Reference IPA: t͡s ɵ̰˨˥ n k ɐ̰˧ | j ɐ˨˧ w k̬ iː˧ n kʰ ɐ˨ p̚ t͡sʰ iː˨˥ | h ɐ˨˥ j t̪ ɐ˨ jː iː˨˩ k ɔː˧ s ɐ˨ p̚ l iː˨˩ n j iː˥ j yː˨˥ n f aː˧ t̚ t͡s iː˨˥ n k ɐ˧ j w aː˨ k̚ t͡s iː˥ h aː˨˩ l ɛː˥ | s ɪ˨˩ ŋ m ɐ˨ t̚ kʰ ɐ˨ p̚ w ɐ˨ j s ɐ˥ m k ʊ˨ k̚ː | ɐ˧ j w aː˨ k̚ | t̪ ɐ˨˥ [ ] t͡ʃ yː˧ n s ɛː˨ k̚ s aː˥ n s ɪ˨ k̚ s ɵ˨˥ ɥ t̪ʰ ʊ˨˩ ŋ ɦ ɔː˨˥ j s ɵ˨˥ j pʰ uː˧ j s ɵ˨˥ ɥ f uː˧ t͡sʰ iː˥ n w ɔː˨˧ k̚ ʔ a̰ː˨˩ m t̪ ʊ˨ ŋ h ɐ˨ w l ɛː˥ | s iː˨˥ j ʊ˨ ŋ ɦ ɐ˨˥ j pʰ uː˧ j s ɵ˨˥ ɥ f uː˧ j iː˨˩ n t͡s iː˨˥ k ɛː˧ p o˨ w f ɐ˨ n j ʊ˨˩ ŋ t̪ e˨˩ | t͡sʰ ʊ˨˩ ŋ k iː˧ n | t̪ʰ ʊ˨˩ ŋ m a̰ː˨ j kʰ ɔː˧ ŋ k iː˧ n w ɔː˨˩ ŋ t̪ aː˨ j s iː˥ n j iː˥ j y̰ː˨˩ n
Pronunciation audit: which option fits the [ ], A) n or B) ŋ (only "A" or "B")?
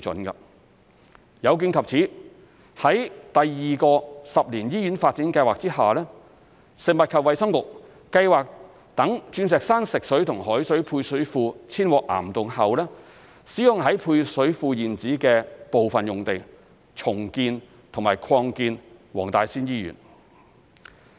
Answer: B